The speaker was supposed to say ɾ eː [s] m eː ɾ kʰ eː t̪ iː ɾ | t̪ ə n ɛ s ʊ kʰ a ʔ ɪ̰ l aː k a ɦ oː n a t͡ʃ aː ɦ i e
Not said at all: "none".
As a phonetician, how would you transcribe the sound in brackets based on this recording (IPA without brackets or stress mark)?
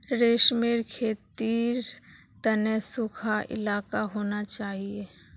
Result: ʃ